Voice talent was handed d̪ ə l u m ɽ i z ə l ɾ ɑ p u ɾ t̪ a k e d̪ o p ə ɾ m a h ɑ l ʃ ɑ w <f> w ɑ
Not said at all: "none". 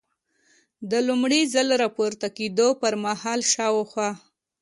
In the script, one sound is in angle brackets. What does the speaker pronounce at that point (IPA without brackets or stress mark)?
x